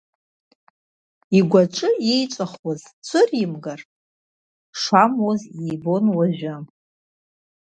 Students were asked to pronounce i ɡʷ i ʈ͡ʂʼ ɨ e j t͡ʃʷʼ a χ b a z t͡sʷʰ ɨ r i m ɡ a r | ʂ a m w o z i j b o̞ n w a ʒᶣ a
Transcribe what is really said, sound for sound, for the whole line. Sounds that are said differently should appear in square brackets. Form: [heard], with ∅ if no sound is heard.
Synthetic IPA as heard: i ɡʷ [a] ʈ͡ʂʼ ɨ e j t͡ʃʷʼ a χ [w] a z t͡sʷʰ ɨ r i m ɡ a r | ʂ a m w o z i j b o̞ n w a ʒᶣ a